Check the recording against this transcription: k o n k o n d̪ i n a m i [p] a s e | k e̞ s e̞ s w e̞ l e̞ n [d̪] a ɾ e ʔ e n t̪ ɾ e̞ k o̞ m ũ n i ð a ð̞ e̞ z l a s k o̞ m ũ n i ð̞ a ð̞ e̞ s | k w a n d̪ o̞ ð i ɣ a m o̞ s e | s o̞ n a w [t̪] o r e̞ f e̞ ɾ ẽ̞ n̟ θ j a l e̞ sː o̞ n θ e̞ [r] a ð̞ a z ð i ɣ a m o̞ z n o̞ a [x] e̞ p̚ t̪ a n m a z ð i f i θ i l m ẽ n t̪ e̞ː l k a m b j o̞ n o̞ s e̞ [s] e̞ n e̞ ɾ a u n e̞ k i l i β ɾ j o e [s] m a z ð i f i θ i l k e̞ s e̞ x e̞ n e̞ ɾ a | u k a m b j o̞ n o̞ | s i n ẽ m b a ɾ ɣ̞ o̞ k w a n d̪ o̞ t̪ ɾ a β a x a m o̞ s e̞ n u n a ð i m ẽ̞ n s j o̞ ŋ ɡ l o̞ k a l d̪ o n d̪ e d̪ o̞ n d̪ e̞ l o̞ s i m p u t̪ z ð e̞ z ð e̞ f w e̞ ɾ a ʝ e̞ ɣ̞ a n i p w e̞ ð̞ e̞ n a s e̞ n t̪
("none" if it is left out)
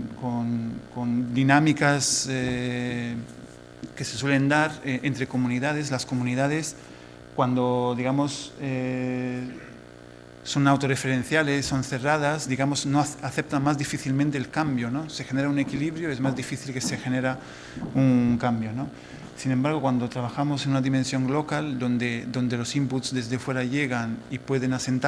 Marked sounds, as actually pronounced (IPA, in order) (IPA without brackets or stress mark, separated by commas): k, d̪, t̪, r, θ, x, z